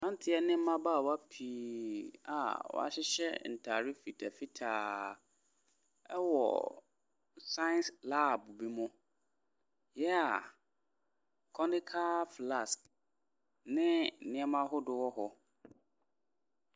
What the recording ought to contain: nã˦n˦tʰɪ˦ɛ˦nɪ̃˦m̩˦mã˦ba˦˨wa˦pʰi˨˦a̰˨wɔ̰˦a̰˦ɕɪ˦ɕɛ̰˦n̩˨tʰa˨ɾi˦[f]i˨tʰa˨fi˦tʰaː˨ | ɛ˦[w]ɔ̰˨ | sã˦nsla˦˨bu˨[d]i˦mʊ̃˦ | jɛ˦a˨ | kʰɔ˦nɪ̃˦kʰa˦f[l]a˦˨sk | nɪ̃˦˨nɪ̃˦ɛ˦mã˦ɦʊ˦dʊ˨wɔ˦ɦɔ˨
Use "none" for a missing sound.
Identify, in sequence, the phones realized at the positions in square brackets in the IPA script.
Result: f, w, b, l

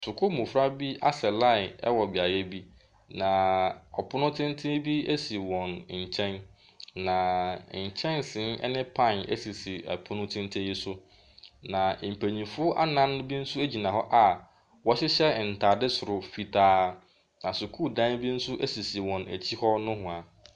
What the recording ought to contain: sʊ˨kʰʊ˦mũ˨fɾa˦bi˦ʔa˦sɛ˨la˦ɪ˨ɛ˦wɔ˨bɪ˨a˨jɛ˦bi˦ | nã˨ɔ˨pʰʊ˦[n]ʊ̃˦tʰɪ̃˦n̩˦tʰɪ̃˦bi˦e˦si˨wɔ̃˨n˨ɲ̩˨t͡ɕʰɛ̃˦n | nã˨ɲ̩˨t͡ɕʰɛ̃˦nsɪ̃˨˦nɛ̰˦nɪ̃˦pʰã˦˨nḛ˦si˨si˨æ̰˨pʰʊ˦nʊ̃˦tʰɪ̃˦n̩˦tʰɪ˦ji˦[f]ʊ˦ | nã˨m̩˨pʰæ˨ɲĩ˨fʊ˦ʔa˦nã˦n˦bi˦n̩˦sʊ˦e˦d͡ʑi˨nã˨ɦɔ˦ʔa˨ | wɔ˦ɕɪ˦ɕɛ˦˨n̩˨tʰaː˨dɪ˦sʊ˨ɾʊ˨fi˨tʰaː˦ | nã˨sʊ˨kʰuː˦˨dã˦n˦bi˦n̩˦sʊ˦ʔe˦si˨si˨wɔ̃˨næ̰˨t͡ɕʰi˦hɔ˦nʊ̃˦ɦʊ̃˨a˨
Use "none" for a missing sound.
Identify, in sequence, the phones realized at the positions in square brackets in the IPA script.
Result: n, s

